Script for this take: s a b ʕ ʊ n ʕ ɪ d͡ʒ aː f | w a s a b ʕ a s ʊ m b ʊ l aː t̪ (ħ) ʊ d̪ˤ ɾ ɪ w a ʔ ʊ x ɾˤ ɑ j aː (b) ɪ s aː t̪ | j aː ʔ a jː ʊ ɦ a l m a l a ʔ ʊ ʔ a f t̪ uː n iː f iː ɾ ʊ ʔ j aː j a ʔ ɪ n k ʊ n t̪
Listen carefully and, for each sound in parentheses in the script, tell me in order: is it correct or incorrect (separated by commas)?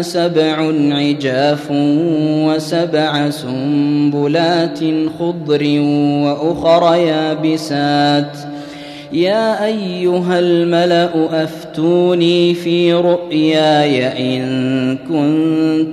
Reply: incorrect, correct